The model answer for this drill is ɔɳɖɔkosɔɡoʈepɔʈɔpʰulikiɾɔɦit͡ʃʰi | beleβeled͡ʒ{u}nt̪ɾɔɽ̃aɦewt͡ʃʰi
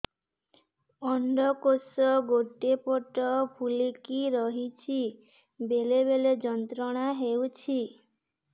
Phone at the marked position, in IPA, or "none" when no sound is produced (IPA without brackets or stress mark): ɔ